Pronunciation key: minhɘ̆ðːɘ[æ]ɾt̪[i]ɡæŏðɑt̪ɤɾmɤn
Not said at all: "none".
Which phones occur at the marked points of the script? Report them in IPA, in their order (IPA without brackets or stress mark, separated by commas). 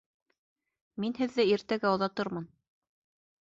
i, æ